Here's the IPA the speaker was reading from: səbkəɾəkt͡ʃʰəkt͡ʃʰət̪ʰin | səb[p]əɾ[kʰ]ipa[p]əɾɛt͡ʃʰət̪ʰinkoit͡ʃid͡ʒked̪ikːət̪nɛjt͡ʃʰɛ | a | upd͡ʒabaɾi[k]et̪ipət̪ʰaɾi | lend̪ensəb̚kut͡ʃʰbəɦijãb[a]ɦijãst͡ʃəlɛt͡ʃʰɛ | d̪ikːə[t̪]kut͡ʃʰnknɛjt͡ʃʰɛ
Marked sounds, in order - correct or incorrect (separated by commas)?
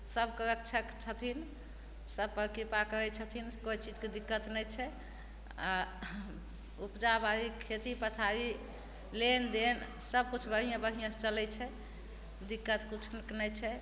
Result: correct, incorrect, incorrect, incorrect, incorrect, correct